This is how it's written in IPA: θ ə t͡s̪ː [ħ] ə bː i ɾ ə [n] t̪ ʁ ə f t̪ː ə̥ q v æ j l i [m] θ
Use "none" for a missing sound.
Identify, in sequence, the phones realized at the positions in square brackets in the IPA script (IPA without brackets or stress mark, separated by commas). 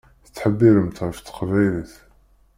ħ, m, none